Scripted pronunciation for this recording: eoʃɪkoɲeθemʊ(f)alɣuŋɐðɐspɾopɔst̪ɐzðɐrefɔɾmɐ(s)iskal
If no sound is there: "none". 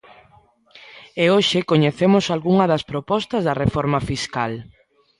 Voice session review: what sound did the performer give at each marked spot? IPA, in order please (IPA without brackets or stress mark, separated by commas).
s, f